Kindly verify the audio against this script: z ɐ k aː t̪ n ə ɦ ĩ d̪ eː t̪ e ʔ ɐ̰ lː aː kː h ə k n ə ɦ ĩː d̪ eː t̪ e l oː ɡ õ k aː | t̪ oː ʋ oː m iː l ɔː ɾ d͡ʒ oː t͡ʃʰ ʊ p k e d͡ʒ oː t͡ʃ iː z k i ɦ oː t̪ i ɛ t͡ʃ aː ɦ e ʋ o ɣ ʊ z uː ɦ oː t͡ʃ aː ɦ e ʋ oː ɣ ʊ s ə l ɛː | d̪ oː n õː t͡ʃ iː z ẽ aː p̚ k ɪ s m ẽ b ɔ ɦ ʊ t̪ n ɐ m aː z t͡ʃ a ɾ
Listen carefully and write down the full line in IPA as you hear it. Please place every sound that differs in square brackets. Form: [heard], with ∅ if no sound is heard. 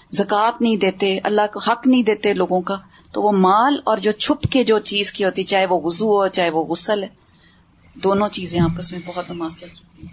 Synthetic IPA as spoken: z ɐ k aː t̪ n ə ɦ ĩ d̪ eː t̪ e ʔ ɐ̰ lː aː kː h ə k n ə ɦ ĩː d̪ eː t̪ e l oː ɡ õ k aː | t̪ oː ʋ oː m [aː] l ɔː ɾ d͡ʒ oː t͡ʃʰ ʊ p k e d͡ʒ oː t͡ʃ iː z k i ɦ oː t̪ i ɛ t͡ʃ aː ɦ e ʋ o ɣ ʊ z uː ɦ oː t͡ʃ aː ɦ e ʋ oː ɣ ʊ s ə l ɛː | d̪ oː n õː t͡ʃ iː z ẽ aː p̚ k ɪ s m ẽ b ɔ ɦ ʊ t̪ n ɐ m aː z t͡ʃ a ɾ